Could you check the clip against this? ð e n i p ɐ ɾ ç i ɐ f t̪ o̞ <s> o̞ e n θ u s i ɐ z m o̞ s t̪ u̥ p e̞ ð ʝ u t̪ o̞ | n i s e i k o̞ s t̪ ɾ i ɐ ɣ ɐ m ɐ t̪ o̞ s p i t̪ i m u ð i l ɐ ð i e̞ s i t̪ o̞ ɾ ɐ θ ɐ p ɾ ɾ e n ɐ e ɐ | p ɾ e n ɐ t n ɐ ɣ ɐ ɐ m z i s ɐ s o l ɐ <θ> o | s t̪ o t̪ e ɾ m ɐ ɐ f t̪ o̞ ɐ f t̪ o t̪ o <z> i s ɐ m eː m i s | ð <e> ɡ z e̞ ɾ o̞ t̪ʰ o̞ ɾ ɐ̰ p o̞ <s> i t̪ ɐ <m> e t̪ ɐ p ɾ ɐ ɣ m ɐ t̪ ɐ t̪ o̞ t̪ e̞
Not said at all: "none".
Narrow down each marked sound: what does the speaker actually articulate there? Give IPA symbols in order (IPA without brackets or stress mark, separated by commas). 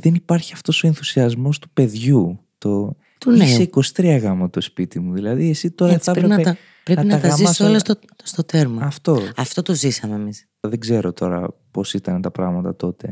s, s, z, e, s, n